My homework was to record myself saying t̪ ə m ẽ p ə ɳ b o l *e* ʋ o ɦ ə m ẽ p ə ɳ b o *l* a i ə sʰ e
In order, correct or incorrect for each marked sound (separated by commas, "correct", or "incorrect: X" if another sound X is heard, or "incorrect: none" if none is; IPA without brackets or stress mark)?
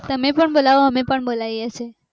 incorrect: a, correct